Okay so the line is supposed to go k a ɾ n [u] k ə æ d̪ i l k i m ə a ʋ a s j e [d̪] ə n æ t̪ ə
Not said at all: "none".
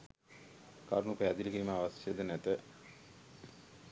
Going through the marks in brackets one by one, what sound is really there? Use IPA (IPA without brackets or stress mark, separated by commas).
u, d̪